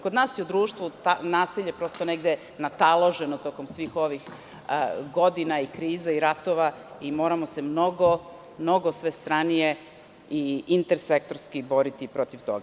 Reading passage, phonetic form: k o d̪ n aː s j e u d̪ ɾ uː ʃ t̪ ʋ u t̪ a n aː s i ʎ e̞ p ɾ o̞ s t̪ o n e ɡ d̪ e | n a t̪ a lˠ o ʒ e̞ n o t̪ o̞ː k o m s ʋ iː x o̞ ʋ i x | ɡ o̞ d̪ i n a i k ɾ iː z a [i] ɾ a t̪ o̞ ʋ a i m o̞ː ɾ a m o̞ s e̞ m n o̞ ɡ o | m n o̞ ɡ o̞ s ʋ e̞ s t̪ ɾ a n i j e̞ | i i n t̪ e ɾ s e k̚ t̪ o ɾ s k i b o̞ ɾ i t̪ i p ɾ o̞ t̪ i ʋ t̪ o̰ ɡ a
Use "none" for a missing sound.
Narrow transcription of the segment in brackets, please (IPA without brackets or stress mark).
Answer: i